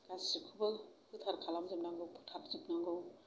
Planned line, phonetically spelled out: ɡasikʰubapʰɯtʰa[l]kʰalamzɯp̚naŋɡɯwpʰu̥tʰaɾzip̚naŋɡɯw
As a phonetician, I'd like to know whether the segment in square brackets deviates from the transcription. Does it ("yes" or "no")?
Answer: yes